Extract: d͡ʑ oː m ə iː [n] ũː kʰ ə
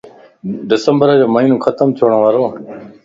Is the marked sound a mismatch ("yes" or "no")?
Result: no